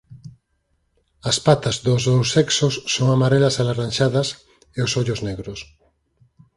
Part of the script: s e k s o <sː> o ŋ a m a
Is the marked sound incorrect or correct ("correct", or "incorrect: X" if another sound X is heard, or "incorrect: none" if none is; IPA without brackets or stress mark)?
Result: correct